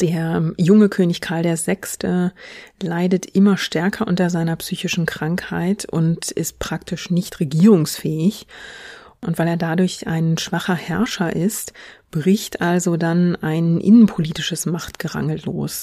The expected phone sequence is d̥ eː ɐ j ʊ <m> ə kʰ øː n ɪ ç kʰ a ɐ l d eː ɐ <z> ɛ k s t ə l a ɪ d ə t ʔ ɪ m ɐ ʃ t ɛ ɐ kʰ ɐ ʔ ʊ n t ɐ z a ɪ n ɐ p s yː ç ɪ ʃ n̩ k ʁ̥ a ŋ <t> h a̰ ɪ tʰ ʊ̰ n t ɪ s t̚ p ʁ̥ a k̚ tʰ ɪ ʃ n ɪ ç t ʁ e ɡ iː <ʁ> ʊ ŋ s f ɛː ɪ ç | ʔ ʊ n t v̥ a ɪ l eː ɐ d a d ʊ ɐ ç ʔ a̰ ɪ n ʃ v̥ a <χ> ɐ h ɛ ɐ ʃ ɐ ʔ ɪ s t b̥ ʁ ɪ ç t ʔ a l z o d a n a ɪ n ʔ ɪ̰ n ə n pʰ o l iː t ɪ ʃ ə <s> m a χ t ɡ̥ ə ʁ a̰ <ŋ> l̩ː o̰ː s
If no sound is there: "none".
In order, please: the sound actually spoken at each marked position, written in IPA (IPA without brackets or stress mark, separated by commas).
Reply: ŋ, z, k, ʁ, χ, s, ŋ